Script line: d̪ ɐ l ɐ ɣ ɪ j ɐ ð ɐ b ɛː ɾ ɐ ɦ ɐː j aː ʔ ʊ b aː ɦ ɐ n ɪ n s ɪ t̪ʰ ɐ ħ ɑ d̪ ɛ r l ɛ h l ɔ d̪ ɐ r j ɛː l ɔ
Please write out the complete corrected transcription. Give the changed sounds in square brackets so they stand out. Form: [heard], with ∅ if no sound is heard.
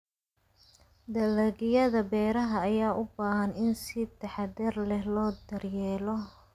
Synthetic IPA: d̪ ɐ l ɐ ɣ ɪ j ɐ ð ɐ b ɛː ɾ ɐ ɦ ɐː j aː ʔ ʊ b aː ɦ ɐ n ɪ n s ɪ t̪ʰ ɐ ħ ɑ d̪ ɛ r l ɛ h l [ɔː] d̪ ɐ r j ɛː l ɔ